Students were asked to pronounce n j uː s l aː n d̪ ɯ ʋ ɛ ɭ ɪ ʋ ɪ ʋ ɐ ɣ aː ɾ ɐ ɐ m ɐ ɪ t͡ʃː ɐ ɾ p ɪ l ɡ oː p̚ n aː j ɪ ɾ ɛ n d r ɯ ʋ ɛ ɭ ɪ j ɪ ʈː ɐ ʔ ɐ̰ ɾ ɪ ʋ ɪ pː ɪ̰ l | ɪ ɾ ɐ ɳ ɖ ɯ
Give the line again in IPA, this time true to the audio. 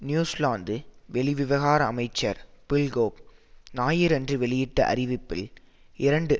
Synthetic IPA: n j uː s l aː n d̪ ɯ ʋ ɛ ɭ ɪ ʋ ɪ ʋ ɐ ɣ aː ɾ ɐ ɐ m ɐ ɪ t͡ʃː ɐ ɾ p ɪ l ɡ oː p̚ n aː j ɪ ɾ ɛ n d r ɯ ʋ ɛ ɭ ɪ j ɪ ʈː ɐ ʔ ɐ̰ ɾ ɪ ʋ ɪ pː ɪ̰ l | ɪ ɾ ɐ ɳ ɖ ɯ